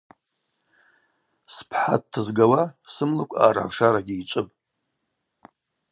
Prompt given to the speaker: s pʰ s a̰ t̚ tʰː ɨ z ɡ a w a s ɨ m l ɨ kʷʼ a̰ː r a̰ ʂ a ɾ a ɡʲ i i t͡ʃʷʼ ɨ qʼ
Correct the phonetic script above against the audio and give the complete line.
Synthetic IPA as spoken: s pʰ ħ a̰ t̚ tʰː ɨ z ɡ a w a s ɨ m l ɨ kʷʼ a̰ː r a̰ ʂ a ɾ a ɡʲ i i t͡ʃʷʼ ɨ pʼ